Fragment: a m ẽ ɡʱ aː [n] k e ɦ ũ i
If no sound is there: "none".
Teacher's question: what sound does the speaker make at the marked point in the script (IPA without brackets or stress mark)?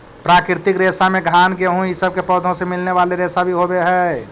n